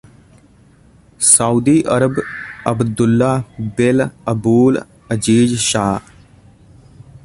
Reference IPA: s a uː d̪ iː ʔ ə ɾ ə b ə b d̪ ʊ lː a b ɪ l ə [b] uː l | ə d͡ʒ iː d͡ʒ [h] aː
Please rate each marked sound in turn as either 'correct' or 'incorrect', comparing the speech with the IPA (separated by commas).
correct, incorrect